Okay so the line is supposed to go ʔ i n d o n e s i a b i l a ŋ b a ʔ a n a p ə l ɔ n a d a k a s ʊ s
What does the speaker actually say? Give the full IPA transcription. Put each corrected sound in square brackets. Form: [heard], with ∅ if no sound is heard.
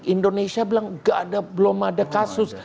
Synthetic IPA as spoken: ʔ i n d o n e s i a b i l a ŋ [ɡ] a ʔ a [d] a [b] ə l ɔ [m] a d a k a s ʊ s

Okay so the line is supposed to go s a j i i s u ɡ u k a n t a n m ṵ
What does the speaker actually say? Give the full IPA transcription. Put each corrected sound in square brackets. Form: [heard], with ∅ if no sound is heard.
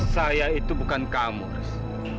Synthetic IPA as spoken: s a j [a] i [t] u [b] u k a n [k] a [∅] m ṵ

